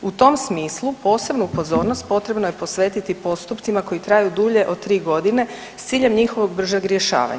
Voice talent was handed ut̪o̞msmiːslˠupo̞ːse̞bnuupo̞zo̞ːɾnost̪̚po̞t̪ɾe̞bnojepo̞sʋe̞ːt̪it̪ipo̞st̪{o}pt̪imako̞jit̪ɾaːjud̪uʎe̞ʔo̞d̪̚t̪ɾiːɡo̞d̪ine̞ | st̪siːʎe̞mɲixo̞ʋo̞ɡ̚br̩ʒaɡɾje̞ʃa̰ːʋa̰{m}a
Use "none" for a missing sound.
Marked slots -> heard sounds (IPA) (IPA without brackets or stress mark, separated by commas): u, ɲ